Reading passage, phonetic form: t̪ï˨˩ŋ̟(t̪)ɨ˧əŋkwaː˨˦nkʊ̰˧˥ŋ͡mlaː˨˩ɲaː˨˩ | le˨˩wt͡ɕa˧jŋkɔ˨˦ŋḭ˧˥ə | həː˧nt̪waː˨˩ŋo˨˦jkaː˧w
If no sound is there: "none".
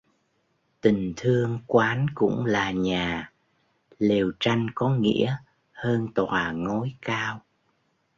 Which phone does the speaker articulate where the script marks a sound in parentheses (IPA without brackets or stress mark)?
t̪ʰ